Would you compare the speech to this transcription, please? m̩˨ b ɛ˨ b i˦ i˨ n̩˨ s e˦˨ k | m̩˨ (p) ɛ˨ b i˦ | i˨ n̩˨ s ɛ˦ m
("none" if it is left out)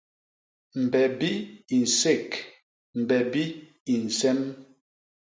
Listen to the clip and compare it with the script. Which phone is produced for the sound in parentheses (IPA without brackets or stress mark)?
b